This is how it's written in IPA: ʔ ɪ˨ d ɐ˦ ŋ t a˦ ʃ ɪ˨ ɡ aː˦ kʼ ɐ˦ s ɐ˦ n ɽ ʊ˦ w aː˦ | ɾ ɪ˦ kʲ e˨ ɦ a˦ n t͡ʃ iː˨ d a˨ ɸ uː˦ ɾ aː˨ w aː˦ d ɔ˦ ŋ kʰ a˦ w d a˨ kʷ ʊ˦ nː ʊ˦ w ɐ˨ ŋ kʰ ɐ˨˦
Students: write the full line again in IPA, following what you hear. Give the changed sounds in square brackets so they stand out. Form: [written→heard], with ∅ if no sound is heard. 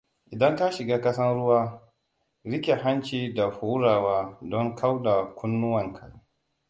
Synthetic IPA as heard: ʔ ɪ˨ d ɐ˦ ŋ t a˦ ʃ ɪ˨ ɡ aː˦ [kʼ→k] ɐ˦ s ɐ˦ n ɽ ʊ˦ w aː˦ | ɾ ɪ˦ kʲ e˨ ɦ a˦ n t͡ʃ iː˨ d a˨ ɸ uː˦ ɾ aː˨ w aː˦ d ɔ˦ ŋ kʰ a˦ w d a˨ kʷ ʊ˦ nː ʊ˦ w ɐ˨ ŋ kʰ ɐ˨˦